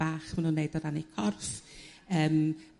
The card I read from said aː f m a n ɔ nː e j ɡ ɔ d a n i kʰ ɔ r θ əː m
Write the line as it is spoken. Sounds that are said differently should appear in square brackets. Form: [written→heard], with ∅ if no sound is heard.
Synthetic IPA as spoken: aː [f→χ] m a n [ɔ→u] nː e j [ɡ→d] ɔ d a n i kʰ ɔ r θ əː m